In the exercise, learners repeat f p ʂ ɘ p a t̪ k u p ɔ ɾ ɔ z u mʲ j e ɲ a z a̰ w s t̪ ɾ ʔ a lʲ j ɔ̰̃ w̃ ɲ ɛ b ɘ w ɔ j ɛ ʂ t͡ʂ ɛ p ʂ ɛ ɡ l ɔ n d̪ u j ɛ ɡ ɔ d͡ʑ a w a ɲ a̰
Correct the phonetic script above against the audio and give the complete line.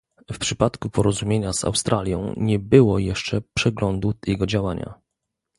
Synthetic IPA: f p ʂ ɘ p a t̪ k u p ɔ ɾ ɔ z u mʲ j e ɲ a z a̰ w s t̪ ɾ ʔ a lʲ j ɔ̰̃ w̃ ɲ ɛ b ɘ w ɔ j ɛ ʂ t͡ʂ ɛ p ʂ ɛ ɡ l ɔ n d̪ u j ɛ ɡ ɔ d͡ʑ a w a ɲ a̰